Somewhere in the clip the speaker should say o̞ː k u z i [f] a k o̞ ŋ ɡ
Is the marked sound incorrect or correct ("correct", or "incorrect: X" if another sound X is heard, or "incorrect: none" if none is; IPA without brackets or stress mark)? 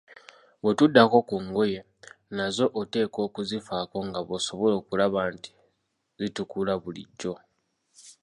correct